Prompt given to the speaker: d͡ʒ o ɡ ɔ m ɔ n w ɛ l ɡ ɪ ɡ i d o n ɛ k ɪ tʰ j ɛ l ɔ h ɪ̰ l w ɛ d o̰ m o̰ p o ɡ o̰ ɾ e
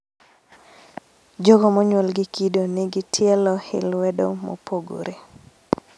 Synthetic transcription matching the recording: d͡ʒ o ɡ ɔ m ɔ ɲ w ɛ l ɡ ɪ k i d o n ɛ ɡ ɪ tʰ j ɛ l ɔ h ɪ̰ l w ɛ d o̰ m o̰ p o ɡ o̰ ɾ e